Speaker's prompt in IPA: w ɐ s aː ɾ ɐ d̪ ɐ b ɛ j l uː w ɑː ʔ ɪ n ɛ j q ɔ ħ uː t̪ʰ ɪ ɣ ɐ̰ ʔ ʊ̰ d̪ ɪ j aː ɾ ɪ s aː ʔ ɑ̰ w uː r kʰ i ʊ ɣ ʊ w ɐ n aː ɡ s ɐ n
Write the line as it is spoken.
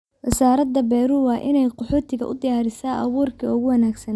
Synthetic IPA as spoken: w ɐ s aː ɾ ɐ d̪ ɐ b ɛ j ɾ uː w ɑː ʔ ɪ n ɛ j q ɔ ħ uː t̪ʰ ɪ ɣ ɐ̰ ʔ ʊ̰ d̪ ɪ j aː ɾ ɪ s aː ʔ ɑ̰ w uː r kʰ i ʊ ɣ ʊ w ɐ n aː ɡ s ɐ n